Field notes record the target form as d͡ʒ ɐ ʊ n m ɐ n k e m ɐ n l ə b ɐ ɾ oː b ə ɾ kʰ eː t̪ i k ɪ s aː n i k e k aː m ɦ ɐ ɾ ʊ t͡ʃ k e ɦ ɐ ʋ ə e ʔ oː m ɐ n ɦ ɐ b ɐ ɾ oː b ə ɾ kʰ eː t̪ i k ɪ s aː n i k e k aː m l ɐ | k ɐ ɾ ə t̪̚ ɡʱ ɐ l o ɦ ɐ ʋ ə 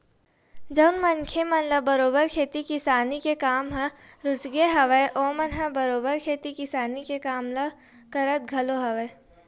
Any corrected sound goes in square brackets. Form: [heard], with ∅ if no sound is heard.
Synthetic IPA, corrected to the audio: d͡ʒ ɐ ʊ n m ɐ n [kʰ] e m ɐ n l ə b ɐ ɾ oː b ə ɾ kʰ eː t̪ i k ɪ s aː n i k e k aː m ɦ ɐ ɾ ʊ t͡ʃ [ɡ] e ɦ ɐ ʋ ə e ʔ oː m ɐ n ɦ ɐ b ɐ ɾ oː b ə ɾ kʰ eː t̪ i k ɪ s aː n i k e k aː m l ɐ | k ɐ ɾ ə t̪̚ ɡʱ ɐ l o ɦ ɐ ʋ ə